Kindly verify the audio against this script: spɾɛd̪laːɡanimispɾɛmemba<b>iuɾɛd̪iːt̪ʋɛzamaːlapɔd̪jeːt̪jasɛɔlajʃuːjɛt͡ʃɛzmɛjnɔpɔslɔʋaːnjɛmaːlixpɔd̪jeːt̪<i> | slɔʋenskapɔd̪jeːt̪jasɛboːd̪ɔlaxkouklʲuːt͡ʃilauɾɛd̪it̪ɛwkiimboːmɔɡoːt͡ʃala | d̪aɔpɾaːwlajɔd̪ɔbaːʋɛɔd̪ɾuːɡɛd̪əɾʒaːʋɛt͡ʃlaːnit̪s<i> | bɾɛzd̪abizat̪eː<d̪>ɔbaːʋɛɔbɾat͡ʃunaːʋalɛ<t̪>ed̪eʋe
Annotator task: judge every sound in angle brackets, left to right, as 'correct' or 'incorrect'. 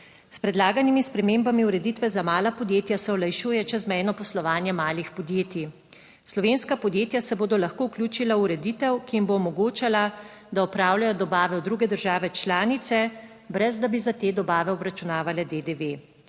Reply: incorrect, correct, incorrect, correct, incorrect

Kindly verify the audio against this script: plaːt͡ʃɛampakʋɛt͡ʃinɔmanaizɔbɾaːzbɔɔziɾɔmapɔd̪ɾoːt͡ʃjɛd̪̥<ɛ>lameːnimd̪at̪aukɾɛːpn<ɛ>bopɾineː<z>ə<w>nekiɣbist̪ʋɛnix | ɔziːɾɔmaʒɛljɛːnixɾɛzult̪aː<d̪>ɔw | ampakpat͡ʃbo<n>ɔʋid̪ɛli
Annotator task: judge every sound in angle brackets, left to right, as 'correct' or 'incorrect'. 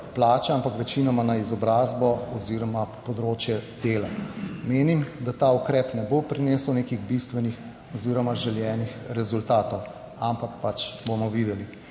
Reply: incorrect, correct, incorrect, correct, incorrect, incorrect

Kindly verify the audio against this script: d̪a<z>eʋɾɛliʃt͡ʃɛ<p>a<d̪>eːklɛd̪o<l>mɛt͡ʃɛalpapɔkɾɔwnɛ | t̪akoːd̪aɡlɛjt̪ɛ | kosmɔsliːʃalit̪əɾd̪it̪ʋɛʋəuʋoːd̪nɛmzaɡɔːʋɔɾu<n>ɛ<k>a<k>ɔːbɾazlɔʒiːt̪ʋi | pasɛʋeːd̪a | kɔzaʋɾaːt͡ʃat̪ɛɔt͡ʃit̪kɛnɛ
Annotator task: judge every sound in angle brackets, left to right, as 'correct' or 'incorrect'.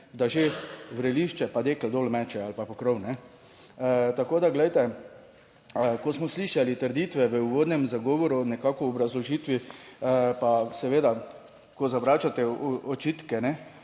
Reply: incorrect, correct, correct, correct, correct, correct, correct

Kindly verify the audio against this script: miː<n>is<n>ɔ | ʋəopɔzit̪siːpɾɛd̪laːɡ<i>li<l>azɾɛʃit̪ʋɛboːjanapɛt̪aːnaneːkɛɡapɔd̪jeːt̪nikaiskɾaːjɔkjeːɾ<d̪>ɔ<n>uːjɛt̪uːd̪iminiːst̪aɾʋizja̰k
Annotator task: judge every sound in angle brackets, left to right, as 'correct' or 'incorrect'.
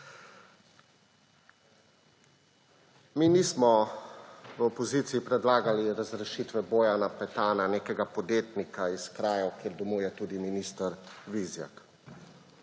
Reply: correct, incorrect, incorrect, incorrect, correct, incorrect

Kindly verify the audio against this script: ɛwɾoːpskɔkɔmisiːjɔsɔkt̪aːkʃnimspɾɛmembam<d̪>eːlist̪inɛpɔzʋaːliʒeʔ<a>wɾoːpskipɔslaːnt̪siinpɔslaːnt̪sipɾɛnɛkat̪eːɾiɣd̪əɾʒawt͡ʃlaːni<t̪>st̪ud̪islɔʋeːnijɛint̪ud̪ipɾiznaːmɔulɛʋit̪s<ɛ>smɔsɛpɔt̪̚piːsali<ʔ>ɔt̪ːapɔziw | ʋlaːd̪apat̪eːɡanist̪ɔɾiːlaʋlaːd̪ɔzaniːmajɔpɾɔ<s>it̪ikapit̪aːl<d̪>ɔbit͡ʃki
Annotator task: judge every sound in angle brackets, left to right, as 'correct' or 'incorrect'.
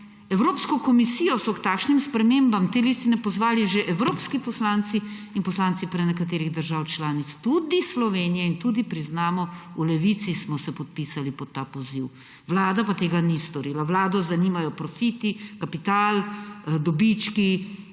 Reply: incorrect, incorrect, correct, incorrect, incorrect, incorrect, correct

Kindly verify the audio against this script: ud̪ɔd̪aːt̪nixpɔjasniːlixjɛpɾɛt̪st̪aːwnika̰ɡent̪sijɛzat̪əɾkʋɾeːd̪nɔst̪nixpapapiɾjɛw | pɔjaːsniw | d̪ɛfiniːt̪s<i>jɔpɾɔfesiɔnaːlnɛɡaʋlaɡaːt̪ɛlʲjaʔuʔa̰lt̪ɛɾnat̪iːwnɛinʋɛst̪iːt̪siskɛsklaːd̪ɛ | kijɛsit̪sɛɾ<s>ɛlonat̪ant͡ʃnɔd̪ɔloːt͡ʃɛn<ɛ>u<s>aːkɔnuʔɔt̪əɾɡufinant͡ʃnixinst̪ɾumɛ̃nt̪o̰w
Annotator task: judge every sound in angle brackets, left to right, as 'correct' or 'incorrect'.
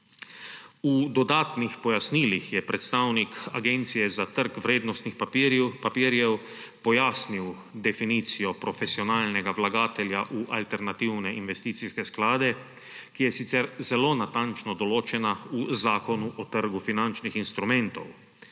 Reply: correct, incorrect, incorrect, incorrect

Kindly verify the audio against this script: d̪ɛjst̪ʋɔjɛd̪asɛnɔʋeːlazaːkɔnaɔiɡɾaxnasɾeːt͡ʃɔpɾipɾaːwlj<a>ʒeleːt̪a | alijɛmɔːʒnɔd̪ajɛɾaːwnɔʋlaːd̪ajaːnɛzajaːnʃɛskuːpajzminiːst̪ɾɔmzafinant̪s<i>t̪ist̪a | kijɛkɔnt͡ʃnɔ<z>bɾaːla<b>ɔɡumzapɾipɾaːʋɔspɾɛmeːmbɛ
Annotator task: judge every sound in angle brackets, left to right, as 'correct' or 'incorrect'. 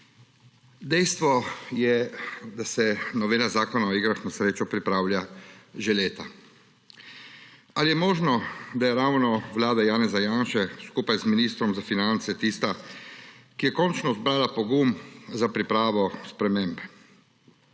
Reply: correct, incorrect, correct, incorrect

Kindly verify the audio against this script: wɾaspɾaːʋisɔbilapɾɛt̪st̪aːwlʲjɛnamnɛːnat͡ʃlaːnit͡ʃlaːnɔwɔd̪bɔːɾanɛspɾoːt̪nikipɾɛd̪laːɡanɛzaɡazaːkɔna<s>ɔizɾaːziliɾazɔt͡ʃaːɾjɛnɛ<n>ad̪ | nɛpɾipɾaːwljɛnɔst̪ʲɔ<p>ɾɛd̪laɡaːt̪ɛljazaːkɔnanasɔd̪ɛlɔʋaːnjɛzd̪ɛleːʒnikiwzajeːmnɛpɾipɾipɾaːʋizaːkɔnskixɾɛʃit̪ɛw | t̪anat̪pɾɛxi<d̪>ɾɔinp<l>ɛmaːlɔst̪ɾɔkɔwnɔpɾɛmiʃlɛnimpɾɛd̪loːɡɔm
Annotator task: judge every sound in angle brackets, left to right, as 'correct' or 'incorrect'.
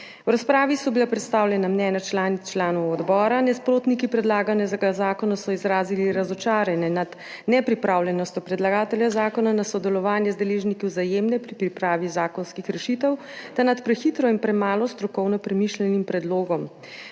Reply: correct, correct, correct, incorrect, incorrect

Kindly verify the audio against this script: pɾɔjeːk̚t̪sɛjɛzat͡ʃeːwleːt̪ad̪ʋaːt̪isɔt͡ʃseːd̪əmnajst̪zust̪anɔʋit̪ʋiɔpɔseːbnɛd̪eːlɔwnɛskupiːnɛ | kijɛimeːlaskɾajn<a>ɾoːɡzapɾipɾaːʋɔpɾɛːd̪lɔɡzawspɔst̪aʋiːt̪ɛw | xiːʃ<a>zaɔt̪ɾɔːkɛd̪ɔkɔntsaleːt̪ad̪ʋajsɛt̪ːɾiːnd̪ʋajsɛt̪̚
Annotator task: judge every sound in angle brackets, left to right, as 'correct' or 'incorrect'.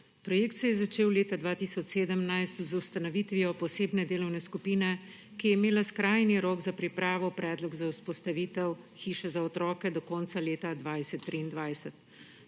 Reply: incorrect, incorrect

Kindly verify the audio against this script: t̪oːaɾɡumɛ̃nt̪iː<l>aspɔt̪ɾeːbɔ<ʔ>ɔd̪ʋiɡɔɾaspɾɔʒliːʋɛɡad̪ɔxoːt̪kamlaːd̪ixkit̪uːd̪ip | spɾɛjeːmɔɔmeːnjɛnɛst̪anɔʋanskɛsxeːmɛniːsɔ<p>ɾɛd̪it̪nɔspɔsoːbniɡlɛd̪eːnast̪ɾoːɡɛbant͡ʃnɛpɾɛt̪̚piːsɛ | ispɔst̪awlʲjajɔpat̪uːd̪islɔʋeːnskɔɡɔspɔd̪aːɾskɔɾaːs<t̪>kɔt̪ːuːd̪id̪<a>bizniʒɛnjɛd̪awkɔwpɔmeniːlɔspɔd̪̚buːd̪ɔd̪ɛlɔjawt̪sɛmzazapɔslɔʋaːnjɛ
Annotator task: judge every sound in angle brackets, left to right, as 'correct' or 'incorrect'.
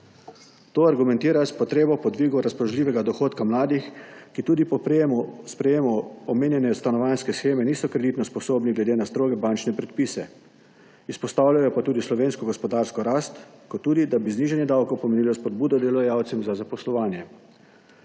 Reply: incorrect, incorrect, incorrect, correct, correct

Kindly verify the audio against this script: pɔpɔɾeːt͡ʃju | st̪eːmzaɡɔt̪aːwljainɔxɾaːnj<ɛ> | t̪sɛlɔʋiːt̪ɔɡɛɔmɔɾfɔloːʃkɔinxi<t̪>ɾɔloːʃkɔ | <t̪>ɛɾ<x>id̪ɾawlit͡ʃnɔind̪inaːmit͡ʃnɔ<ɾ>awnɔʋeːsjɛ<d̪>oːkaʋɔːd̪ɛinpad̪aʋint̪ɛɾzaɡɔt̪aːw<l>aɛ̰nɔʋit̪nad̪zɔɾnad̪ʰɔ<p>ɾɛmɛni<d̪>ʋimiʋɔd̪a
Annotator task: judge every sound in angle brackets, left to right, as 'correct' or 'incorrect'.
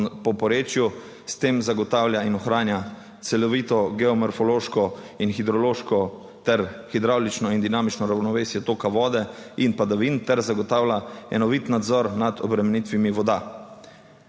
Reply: incorrect, incorrect, correct, correct, correct, incorrect, correct, incorrect, incorrect

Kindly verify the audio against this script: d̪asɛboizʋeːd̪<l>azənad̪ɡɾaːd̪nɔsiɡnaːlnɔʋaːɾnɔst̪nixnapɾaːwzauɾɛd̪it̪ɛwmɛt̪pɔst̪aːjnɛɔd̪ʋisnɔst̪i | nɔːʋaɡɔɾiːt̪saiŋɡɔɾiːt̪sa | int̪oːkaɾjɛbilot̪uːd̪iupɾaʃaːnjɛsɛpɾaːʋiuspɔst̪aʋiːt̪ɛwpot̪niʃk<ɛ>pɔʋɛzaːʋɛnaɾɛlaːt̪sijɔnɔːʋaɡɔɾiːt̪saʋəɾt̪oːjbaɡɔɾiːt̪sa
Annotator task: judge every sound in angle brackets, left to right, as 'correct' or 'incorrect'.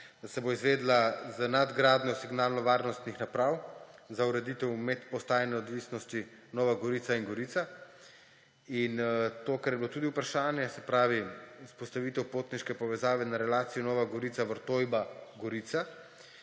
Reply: correct, correct

